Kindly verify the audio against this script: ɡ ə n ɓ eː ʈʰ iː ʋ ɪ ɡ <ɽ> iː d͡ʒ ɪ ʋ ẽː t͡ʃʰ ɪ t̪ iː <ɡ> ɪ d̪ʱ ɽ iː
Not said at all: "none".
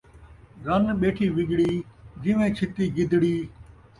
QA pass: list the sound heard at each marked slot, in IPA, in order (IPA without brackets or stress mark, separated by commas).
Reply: ɽ, ɡ